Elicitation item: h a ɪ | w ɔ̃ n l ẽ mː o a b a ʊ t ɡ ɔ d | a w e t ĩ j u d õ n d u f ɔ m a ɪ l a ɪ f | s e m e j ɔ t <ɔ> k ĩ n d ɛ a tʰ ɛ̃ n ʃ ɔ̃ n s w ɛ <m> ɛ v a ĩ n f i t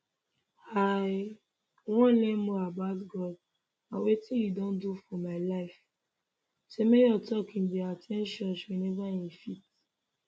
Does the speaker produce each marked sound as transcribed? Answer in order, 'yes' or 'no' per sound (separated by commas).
yes, no